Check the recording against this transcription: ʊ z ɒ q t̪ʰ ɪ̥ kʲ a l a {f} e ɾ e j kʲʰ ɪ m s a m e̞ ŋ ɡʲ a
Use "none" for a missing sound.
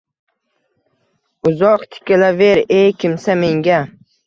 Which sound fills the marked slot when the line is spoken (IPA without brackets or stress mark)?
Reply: v